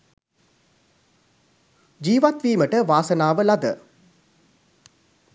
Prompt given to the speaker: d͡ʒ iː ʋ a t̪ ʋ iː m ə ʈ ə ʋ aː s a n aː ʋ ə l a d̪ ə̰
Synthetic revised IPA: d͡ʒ iː ʋ a t̪ ʋ iː m ə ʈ ə ʋ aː s ə n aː ʋ ə l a d̪ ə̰